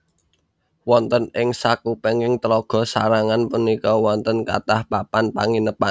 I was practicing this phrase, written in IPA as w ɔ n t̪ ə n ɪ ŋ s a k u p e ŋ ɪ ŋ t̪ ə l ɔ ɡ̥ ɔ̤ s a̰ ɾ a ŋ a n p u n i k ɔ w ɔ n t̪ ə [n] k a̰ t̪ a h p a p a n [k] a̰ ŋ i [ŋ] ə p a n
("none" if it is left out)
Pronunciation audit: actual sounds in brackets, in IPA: n, p, n

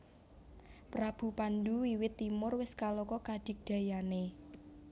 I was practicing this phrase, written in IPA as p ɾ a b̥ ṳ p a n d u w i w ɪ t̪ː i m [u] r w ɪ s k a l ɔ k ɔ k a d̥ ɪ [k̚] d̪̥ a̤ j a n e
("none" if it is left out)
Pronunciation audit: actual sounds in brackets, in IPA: ʊ, k̚

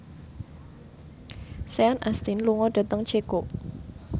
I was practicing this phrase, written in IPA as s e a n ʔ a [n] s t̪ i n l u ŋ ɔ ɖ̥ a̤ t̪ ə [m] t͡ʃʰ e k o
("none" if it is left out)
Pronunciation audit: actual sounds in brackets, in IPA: none, ŋ

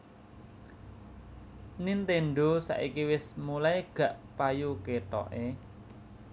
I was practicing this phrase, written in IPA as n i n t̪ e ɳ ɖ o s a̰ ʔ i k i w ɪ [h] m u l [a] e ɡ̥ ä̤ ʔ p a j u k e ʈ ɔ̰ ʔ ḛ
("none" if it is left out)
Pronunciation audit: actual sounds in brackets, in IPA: s, a

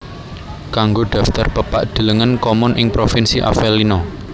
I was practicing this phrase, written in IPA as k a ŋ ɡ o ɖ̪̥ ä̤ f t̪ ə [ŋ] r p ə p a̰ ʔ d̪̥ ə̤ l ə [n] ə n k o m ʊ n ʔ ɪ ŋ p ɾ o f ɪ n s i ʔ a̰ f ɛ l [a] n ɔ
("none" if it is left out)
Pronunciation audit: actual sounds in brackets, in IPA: none, ŋ, i

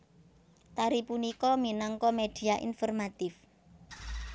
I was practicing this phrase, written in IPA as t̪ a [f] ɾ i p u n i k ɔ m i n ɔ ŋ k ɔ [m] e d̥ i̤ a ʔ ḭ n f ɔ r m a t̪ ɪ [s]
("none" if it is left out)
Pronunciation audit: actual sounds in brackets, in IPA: none, m, f

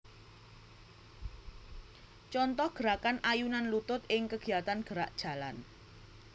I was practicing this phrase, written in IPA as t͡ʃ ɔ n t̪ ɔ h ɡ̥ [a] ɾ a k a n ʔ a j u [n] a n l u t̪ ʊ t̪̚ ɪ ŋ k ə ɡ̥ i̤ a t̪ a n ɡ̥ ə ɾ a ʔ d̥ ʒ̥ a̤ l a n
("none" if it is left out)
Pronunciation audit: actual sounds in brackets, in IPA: ə, n

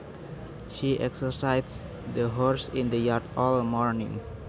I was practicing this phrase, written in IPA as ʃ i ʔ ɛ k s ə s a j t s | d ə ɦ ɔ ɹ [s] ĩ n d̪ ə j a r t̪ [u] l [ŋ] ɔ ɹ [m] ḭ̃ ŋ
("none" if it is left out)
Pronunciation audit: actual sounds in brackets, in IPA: s, ɔ, m, n

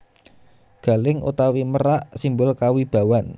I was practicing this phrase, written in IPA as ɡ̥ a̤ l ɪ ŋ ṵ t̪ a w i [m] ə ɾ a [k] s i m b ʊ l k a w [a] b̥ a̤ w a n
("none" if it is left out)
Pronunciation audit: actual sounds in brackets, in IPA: m, ʔ, i

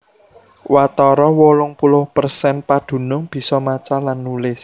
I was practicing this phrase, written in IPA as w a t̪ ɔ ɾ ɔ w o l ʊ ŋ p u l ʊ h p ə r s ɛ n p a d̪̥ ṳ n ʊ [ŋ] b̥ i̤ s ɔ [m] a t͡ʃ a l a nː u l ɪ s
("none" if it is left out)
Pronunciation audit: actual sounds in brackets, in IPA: ŋ, m

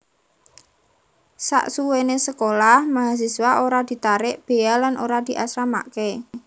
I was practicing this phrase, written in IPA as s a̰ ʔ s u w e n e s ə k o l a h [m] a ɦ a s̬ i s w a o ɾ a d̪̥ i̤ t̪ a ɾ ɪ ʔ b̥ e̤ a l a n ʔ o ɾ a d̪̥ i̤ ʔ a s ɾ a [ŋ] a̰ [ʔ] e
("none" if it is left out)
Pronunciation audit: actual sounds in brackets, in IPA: m, m, k

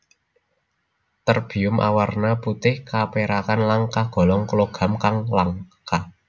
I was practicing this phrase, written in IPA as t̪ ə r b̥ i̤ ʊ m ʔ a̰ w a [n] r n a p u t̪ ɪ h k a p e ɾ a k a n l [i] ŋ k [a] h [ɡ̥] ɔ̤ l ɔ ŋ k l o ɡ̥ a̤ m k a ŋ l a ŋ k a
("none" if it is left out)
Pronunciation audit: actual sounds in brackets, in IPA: none, a, a, ɡ̥

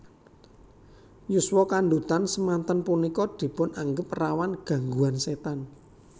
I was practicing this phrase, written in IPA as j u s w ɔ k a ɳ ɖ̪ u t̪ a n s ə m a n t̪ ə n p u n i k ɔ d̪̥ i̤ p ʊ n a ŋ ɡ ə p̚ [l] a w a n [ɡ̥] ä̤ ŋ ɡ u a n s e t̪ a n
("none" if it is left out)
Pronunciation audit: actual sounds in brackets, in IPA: r, ɡ̥

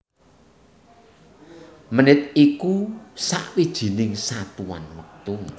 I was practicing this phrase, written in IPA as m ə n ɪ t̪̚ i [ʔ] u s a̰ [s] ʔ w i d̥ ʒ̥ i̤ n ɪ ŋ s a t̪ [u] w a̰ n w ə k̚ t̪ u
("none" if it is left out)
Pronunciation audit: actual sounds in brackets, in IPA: k, none, u

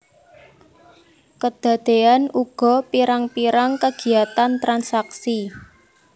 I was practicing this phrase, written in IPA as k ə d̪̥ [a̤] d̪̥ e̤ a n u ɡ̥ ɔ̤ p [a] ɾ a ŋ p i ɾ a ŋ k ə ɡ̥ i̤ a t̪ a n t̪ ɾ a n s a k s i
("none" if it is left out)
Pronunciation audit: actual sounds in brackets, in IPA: a̤, i

